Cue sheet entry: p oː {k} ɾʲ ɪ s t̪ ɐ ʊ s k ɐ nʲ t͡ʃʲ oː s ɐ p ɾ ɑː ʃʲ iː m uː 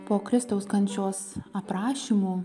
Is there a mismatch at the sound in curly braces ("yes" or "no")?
no